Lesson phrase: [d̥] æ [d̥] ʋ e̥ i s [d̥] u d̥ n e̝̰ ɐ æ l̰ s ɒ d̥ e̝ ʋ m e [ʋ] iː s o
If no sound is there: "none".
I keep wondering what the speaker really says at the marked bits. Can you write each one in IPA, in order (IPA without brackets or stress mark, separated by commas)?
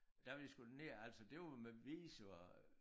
d̥, none, ɡ̥, ʋ